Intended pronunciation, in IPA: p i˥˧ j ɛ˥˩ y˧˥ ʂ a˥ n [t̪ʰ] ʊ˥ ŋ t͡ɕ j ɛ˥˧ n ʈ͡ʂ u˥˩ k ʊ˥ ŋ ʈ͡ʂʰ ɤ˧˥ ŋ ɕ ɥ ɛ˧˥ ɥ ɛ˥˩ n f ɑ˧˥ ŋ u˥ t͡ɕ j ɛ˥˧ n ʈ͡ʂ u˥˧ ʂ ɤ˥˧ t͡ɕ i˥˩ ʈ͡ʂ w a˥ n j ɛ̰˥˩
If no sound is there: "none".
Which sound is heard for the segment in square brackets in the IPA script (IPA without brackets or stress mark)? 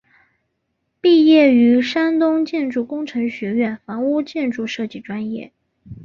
t̪